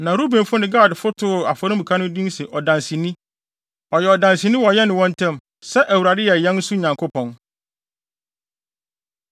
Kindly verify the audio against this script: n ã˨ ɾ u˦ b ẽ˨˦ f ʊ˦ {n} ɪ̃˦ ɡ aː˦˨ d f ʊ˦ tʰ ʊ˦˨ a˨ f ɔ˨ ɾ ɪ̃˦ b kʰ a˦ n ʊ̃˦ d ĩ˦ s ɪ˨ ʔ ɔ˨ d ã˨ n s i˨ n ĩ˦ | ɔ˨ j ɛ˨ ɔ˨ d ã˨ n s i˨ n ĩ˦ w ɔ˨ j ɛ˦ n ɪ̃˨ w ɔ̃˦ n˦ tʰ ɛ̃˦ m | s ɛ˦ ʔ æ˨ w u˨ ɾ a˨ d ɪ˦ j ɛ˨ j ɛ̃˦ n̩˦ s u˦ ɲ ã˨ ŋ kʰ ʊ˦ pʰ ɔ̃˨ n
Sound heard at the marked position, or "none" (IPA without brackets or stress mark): n